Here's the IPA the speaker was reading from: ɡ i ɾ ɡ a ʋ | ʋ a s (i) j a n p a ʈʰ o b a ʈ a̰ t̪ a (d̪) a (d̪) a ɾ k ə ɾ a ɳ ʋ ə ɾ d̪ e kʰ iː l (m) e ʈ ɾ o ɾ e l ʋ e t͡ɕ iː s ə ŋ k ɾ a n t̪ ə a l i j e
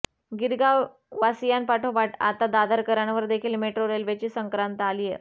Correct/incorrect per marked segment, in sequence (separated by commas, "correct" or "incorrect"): correct, correct, correct, correct